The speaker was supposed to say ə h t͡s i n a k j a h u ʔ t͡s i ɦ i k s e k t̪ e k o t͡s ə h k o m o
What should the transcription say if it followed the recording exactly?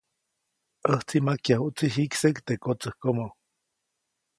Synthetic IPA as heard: ə h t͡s i m a k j a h u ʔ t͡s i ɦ i k s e k t̪ e k o t͡s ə h k o m o